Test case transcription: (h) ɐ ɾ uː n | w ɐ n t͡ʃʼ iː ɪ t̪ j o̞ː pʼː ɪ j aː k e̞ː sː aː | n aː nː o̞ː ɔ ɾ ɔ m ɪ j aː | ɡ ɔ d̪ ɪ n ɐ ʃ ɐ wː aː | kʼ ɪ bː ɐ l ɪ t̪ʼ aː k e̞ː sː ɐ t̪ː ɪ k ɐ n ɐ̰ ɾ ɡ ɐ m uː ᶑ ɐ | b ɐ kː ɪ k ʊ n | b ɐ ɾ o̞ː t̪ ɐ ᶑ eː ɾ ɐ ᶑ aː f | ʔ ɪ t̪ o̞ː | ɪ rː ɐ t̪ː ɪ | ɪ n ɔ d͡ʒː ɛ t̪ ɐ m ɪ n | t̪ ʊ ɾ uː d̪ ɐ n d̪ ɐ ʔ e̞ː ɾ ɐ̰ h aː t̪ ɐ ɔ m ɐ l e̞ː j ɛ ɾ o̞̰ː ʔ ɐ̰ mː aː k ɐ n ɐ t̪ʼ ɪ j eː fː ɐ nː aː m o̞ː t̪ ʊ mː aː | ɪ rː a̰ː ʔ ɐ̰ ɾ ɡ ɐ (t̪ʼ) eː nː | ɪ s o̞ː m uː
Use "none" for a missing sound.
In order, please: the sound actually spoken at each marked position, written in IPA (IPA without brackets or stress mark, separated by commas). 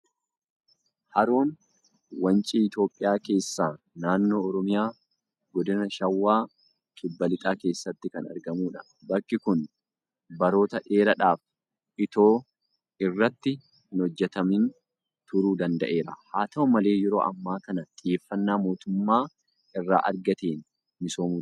h, t̪